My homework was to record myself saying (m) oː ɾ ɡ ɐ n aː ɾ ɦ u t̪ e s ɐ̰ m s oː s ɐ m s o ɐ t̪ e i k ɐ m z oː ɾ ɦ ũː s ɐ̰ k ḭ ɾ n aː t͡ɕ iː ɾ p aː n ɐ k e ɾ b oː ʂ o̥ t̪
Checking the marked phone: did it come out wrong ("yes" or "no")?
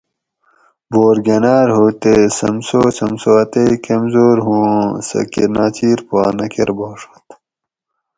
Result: yes